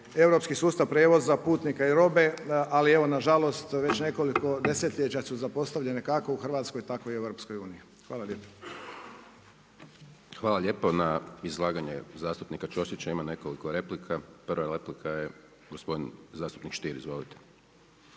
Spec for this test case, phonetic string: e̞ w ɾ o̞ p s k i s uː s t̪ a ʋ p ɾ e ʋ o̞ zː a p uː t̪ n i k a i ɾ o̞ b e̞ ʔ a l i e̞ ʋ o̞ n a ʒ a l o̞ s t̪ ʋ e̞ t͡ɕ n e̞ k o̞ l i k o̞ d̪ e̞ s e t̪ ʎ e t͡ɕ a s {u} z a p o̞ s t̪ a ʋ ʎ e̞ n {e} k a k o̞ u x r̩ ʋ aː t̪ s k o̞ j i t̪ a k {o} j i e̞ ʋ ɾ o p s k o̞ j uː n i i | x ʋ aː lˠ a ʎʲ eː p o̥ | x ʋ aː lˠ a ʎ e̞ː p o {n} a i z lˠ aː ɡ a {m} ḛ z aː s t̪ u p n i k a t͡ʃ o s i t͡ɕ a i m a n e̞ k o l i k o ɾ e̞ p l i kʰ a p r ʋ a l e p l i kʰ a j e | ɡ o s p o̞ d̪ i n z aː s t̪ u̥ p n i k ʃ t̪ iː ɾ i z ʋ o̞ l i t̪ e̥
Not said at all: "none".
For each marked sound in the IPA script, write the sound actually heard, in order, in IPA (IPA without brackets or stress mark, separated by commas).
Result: u, e, o, n, ɲ